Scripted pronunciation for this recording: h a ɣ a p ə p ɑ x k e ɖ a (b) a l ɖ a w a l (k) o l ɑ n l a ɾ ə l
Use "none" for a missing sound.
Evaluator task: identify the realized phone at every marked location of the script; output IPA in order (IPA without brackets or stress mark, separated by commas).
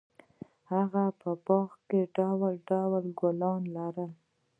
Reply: w, ɡ